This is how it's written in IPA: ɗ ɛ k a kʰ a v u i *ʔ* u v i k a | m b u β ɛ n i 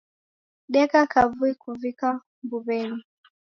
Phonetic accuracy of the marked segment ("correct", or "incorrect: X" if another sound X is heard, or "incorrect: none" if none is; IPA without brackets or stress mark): incorrect: k